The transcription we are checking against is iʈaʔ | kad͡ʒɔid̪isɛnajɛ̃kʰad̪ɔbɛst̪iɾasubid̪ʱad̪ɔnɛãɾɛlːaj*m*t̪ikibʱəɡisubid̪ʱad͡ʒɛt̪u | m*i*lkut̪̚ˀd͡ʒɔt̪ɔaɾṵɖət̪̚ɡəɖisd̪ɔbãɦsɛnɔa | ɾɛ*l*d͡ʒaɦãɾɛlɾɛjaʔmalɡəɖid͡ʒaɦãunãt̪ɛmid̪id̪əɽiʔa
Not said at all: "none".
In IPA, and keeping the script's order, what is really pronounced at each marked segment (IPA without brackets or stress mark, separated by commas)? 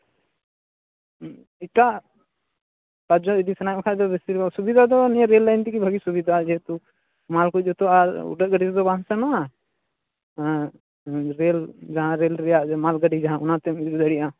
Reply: n, a, l